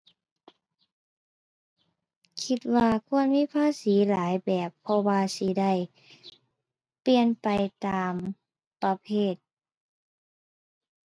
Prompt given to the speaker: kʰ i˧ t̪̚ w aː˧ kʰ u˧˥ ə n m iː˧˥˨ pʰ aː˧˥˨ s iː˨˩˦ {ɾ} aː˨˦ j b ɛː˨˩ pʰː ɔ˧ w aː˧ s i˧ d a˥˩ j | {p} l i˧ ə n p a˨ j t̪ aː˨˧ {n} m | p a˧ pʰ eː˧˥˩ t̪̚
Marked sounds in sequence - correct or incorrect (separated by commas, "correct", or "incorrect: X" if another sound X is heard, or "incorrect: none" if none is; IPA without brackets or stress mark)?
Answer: incorrect: l, correct, incorrect: none